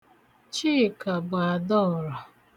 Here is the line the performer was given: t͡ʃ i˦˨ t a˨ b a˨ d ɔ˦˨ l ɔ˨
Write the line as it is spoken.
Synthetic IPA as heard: t͡ʃ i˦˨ k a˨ b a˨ d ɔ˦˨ ɾ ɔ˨